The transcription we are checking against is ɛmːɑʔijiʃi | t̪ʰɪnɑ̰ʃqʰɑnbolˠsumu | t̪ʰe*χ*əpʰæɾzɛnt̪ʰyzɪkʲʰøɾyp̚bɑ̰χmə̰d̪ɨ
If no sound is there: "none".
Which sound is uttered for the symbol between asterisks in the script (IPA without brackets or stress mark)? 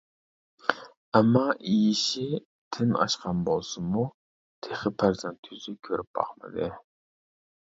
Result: χ